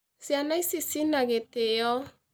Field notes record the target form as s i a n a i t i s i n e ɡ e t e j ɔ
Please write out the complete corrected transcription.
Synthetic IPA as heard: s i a n a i s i s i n a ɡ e t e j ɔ